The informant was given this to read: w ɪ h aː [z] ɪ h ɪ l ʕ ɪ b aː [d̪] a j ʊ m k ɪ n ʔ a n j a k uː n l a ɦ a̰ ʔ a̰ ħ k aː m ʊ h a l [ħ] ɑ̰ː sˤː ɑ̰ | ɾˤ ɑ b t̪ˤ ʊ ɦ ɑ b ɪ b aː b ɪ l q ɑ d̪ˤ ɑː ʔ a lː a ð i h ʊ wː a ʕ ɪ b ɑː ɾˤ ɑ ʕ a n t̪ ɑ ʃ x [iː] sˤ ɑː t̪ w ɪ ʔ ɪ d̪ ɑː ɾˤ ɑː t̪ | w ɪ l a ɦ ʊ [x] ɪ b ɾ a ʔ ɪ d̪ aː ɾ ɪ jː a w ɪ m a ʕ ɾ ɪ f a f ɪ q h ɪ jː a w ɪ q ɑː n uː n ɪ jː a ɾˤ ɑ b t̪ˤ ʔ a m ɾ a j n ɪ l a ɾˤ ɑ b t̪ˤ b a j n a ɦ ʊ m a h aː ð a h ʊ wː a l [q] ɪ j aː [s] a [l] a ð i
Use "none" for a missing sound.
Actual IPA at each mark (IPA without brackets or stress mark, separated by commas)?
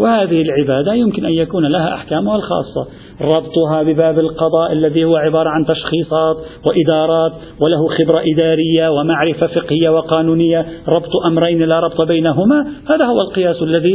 ð, d̪, x, iː, x, q, s, lː